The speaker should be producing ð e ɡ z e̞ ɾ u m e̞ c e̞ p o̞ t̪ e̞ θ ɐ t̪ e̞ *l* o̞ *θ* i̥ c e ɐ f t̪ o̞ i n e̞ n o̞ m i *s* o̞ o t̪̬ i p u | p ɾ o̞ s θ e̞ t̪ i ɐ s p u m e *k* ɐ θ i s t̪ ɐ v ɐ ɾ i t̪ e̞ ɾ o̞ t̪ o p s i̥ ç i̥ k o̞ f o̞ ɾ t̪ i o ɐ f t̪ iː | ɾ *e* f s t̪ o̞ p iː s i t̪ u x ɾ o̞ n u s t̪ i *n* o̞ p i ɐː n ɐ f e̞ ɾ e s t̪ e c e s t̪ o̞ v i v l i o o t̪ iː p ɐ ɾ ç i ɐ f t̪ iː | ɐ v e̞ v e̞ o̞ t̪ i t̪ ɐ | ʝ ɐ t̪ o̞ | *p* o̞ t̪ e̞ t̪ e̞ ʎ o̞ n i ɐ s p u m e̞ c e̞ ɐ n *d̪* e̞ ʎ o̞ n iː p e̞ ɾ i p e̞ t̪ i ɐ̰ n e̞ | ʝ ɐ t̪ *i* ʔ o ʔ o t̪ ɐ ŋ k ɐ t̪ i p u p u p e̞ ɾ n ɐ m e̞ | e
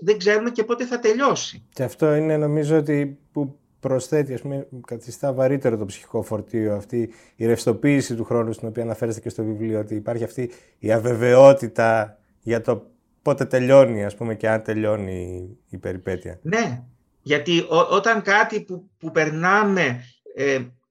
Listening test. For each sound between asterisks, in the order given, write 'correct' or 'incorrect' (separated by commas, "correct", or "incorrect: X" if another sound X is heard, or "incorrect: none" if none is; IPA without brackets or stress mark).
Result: incorrect: ʎ, incorrect: s, incorrect: z, correct, correct, correct, correct, incorrect: t̪, correct